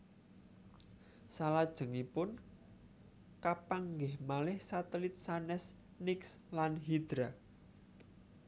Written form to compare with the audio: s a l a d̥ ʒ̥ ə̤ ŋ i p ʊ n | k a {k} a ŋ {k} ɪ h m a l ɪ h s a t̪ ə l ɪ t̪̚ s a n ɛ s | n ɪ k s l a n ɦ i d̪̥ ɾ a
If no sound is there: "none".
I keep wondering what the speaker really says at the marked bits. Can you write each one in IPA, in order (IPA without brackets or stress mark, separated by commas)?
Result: p, ɡ